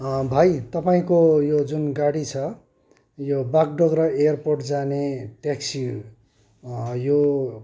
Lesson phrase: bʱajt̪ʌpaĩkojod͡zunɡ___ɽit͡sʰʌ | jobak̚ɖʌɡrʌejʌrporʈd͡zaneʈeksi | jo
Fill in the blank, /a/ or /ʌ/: a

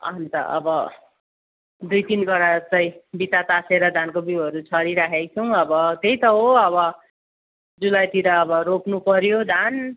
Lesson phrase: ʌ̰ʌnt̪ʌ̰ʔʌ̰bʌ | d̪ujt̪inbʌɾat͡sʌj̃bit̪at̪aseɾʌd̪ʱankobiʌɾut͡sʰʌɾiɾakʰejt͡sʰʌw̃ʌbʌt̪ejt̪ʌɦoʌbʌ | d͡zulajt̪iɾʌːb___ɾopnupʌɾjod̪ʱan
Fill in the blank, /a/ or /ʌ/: ʌ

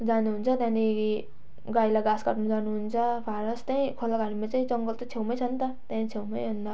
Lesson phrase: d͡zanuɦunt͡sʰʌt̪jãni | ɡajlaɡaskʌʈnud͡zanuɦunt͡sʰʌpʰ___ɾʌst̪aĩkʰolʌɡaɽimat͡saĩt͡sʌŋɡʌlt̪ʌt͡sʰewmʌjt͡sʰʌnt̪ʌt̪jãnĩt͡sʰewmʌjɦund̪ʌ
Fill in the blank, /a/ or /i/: a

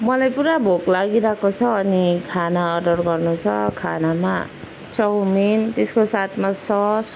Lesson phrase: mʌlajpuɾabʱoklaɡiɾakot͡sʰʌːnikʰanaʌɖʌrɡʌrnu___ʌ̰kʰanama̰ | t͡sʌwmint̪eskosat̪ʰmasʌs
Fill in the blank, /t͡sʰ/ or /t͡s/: t͡sʰ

